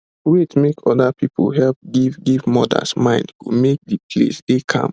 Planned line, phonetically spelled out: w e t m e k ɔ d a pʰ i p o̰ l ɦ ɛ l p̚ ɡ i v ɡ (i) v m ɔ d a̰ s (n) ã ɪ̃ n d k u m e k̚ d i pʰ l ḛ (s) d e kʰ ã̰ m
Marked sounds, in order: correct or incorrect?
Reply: correct, incorrect: m, correct

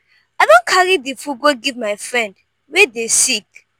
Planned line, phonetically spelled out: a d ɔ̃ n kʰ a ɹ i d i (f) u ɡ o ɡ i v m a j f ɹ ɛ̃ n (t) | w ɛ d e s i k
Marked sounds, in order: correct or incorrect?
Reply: correct, incorrect: d

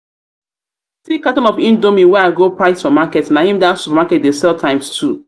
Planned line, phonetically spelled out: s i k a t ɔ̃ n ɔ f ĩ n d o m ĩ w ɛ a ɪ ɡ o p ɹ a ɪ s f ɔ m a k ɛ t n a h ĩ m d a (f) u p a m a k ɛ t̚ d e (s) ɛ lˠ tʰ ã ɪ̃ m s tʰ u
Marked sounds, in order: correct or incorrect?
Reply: incorrect: s, correct

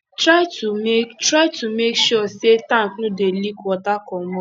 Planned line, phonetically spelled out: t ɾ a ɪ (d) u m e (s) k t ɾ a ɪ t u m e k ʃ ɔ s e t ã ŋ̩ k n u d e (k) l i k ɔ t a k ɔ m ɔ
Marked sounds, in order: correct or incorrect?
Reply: incorrect: t, incorrect: none, incorrect: none

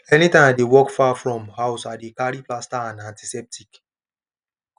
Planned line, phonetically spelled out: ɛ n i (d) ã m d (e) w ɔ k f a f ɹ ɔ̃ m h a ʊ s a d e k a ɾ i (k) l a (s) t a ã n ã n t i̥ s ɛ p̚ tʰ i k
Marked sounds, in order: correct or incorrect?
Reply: incorrect: t, correct, incorrect: p, correct

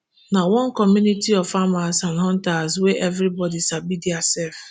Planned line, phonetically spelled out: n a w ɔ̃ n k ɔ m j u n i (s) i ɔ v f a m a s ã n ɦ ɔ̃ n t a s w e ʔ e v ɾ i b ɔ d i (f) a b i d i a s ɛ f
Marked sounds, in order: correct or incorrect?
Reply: incorrect: t, incorrect: s

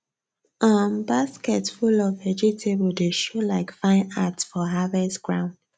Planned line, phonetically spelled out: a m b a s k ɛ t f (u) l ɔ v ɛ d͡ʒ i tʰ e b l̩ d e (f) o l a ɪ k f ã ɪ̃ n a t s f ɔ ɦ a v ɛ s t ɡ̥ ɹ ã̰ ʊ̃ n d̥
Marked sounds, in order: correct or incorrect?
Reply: correct, incorrect: ʃ

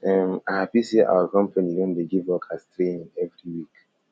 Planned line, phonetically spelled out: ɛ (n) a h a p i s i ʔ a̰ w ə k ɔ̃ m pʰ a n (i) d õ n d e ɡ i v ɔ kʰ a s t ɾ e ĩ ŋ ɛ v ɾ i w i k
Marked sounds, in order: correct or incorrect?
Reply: incorrect: m, correct

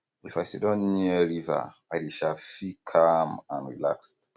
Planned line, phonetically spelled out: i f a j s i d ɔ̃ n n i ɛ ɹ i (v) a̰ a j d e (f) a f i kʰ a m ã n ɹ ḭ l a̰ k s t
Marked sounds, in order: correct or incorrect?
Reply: correct, incorrect: ʃ

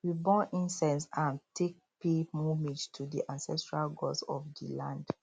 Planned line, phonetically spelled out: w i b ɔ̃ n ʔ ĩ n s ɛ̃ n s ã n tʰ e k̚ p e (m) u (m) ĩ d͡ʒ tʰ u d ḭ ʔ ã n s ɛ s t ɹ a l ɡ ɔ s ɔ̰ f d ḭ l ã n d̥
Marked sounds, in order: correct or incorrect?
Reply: correct, correct

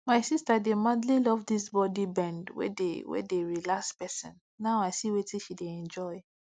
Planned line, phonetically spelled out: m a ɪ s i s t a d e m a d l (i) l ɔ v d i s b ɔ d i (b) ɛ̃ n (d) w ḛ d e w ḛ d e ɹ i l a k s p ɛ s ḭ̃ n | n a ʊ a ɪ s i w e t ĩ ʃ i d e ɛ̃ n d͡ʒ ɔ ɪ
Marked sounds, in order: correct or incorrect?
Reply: correct, correct, correct

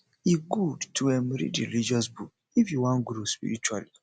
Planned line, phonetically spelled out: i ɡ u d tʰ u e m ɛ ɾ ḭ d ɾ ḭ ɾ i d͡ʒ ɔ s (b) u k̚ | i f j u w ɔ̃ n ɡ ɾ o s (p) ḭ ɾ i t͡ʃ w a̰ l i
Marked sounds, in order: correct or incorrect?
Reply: correct, correct

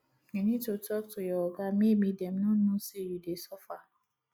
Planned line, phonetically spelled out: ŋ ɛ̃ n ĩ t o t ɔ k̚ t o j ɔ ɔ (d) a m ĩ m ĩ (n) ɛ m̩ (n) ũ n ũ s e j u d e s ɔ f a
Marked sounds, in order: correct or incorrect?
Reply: incorrect: ɡ, incorrect: d, correct

